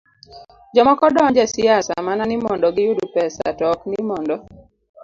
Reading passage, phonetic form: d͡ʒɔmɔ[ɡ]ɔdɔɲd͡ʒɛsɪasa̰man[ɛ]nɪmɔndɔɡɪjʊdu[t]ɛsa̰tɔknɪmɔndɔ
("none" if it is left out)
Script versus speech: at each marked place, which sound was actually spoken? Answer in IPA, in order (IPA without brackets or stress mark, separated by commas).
k, a, p